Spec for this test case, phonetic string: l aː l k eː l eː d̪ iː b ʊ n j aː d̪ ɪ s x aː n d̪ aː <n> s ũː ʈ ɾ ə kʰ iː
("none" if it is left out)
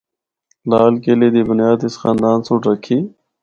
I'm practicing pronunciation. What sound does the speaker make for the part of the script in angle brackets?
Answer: n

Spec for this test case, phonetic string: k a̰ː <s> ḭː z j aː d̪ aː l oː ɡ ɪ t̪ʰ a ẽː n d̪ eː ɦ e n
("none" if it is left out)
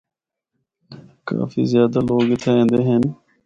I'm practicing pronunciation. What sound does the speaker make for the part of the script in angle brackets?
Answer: f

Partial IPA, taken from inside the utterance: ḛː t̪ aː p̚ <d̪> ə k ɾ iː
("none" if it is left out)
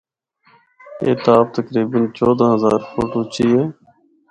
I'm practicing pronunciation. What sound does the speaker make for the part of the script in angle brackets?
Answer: t̪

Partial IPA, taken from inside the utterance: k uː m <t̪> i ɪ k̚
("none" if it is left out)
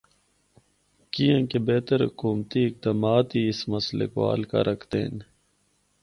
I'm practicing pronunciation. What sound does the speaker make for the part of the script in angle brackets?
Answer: t̪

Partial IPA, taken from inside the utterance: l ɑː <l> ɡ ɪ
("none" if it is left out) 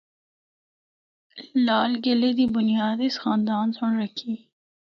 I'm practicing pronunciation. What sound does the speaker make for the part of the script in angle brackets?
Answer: l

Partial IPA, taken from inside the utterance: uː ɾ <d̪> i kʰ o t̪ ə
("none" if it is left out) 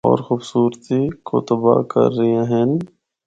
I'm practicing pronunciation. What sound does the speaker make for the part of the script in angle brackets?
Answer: t̪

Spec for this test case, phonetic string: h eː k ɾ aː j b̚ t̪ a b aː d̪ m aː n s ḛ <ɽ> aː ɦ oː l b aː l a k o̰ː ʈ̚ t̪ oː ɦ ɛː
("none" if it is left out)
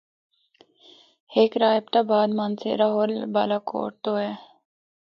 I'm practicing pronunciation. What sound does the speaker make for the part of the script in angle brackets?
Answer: ɾ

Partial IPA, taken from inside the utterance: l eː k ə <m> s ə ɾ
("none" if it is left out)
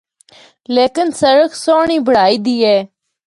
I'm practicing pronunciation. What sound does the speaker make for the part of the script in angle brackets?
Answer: n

